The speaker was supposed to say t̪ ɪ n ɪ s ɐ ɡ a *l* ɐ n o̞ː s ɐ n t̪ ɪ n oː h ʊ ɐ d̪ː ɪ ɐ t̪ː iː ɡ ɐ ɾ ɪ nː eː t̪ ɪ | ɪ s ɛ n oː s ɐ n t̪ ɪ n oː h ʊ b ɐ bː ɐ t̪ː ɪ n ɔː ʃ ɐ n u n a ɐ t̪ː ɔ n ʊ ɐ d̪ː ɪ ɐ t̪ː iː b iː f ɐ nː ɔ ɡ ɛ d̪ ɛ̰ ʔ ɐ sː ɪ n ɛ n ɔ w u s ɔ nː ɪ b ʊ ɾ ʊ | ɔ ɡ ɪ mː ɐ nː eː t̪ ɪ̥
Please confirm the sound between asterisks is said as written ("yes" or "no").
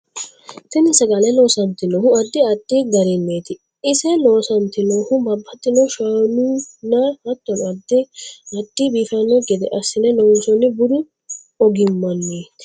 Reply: yes